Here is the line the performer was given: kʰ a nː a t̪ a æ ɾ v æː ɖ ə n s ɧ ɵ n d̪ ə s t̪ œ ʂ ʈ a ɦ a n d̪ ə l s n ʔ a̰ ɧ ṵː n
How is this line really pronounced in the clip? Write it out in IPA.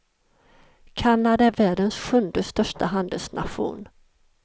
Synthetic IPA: kʰ a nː a d̪ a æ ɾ v æː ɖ ə n s ɧ ɵ n d̪ ə s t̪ œ ʂ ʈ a ɦ a n d̪ ə l s n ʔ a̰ ɧ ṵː n